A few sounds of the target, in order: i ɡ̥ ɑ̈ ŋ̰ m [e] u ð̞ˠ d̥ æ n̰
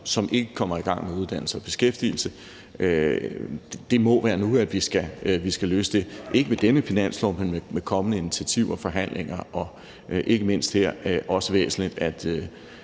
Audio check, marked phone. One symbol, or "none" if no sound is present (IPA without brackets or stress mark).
e